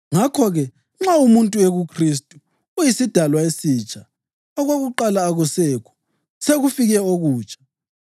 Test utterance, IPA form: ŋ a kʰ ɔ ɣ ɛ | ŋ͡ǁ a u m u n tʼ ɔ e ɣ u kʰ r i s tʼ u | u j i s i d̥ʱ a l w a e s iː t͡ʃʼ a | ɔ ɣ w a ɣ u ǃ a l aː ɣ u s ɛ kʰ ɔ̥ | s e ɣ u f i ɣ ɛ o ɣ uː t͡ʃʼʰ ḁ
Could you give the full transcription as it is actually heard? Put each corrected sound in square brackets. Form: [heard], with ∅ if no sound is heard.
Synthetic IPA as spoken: ŋ a kʰ ɔ ɣ ɛ | ŋ͡ǁ a u m u n tʼ [u] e ɣ u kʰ r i s tʼ u | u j i s i d̥ʱ a l w a e s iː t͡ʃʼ a | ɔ ɣ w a ɣ u ǃ a l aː ɣ u s ɛ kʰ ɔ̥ | s e ɣ u f i ɣ ɛ o ɣ uː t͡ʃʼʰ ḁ

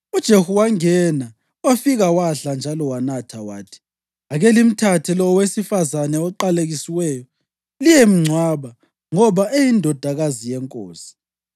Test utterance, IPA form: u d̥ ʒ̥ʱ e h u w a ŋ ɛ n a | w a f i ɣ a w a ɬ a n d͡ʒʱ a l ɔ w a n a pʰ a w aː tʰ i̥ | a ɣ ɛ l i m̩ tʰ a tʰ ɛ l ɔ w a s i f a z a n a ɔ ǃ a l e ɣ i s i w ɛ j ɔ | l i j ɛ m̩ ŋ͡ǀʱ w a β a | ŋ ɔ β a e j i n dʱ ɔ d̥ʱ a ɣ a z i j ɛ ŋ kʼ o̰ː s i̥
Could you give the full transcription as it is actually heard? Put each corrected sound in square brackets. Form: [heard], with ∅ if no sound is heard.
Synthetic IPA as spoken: u d̥ ʒ̥ʱ e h u w a ŋ ɛ n a | w a f i ɣ a w a ɬ a n d͡ʒʱ a l ɔ w a n a [tʰ] a w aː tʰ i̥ | a ɣ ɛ l i m̩ tʰ a tʰ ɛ l ɔ w [e] s i f a z a n [ɛ] ɔ ǃ a l e ɣ i s i w ɛ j ɔ | l i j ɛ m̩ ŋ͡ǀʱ w a β a | ŋ ɔ β a e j i n dʱ ɔ d̥ʱ a ɣ a z i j ɛ ŋ kʼ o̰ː s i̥

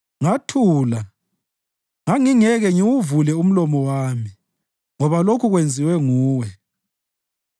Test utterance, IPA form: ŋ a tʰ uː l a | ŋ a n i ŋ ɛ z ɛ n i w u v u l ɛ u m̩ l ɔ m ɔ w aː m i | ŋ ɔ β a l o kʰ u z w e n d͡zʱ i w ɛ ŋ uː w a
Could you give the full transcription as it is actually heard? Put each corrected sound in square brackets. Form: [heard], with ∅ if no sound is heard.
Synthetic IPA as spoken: ŋ a tʰ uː l a | ŋ a [ŋ] i ŋ ɛ [ɣ] ɛ [ŋ] i w u v u l ɛ u m̩ l ɔ m ɔ w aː m i | ŋ ɔ β a l o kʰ u [ɣ] w e n d͡zʱ i w ɛ ŋ uː w [ɛ]

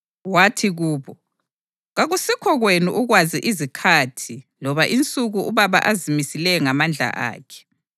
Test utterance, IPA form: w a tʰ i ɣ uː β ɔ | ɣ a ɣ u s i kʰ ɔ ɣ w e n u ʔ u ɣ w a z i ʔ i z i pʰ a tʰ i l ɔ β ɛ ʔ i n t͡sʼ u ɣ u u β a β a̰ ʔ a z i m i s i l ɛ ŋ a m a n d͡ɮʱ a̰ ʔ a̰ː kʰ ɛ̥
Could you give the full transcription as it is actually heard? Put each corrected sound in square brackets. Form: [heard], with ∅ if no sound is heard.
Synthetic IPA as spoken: w a tʰ i ɣ uː β ɔ | ɣ a ɣ u s i kʰ ɔ ɣ w e n u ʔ u ɣ w a z i ʔ i z i [kʰ] a tʰ i l ɔ β [a] ʔ i n t͡sʼ u ɣ u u β a β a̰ ʔ a z i m i s i l ɛ ŋ a m a n d͡ɮʱ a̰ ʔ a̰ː kʰ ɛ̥

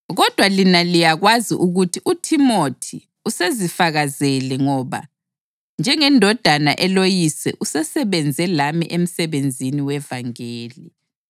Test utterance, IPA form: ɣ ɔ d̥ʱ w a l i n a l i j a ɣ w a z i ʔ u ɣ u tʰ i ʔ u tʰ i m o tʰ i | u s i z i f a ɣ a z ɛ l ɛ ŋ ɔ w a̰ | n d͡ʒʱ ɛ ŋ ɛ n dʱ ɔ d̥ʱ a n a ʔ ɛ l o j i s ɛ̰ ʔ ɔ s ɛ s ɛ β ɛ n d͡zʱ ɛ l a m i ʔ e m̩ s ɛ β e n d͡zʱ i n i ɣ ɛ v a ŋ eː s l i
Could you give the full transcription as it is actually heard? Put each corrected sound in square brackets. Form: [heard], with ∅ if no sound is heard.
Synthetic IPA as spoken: ɣ ɔ d̥ʱ w a l i n a l i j a ɣ w a z i ʔ u ɣ u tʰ i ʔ u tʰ i m o tʰ i | u s [e] z i f a ɣ a z ɛ l ɛ ŋ ɔ [β] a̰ | n d͡ʒʱ ɛ ŋ ɛ n dʱ ɔ d̥ʱ a n a ʔ ɛ l o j i s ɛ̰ ʔ [u] s ɛ s ɛ β ɛ n d͡zʱ ɛ l a m i ʔ e m̩ s ɛ β e n d͡zʱ i n i [w] ɛ v a ŋ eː [∅] l i

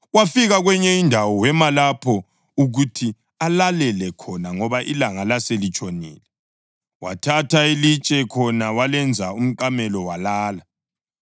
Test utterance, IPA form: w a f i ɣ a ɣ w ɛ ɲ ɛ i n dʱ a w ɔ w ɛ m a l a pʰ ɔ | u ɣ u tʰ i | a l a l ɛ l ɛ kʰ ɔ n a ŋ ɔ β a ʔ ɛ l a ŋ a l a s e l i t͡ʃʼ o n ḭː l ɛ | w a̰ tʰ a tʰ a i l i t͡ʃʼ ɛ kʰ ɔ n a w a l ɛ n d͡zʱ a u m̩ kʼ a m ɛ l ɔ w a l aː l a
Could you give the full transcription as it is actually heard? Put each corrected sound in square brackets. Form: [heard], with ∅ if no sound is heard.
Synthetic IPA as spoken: w a f i ɣ a ɣ w ɛ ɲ ɛ i n dʱ a w ɔ w ɛ m a l a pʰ ɔ | u ɣ u tʰ i | a l a l ɛ l ɛ kʰ ɔ n a ŋ ɔ β a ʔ [i] l a ŋ a l a s e l i t͡ʃʼ o n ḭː l ɛ | w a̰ tʰ a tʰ a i l i t͡ʃʼ ɛ kʰ ɔ n a w a l ɛ n d͡zʱ a u m̩ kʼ a m ɛ l ɔ w a l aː l a

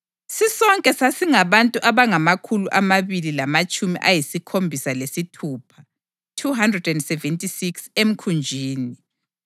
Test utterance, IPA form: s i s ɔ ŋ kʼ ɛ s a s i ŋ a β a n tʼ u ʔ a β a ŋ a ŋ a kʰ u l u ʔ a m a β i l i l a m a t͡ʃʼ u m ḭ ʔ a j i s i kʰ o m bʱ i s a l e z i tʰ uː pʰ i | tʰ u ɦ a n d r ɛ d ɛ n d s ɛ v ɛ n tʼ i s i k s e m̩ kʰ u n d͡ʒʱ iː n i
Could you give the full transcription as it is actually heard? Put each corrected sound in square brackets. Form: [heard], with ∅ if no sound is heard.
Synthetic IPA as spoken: s i s ɔ ŋ kʼ ɛ s a s i ŋ a β a n tʼ u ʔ a β a ŋ a [m] a kʰ u l u ʔ a m a β i l i l a m a t͡ʃʼ u m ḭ ʔ a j i s i kʰ o m bʱ i s a l e [s] i tʰ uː pʰ [a] | tʰ u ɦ a n d r ɛ d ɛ n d s ɛ v ɛ n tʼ i s i k s e m̩ kʰ u n d͡ʒʱ iː n i

